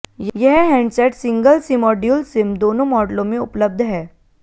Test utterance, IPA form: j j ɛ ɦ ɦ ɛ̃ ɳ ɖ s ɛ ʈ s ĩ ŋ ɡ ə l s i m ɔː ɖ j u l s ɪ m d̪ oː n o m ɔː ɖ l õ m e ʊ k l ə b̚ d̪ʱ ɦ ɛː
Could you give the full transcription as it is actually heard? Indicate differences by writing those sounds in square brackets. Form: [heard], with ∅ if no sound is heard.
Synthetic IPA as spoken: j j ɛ ɦ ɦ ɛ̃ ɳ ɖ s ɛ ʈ s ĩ ŋ ɡ ə l s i m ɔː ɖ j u l s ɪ m d̪ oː n o m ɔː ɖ l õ m e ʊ [p] l ə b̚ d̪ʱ ɦ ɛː